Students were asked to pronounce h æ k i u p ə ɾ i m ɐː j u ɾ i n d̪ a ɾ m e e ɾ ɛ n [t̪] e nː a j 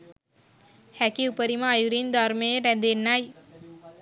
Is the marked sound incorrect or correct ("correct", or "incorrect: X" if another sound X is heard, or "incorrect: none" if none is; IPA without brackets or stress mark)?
incorrect: d̪